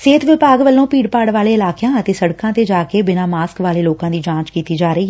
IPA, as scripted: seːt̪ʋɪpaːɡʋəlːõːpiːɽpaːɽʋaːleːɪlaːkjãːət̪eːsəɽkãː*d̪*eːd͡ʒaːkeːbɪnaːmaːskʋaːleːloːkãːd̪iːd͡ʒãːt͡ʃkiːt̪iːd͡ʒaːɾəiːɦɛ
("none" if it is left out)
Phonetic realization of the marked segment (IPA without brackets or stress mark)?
t̪